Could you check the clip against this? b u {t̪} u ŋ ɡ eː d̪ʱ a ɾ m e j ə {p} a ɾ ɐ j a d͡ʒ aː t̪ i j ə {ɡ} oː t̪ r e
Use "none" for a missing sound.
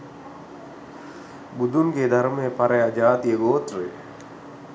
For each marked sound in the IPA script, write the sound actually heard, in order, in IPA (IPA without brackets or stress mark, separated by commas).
d̪, p, ɡ